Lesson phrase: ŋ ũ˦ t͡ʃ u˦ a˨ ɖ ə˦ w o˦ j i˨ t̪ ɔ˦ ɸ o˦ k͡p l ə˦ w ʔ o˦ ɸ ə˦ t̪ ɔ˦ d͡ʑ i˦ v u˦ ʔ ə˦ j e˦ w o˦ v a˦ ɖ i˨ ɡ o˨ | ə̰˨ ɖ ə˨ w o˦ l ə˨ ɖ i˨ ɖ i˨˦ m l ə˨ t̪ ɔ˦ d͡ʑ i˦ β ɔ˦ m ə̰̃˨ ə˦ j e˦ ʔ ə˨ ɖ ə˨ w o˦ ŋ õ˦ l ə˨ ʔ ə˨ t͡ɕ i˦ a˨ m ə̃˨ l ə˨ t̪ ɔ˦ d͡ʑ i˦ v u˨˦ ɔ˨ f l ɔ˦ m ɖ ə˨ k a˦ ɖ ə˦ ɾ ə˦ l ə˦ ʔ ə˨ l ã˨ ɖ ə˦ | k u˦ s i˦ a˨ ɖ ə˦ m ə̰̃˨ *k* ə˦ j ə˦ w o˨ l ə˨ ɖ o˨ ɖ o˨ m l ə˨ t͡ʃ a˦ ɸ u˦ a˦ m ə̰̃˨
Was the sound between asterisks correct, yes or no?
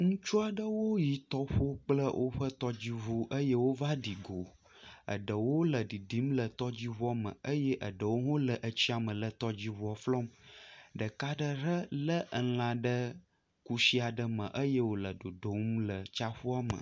no